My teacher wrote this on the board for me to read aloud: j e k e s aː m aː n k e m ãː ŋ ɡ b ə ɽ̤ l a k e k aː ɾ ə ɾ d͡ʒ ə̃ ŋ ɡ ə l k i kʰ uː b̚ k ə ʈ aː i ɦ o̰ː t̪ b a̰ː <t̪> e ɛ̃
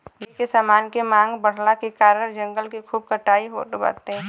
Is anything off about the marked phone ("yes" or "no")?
no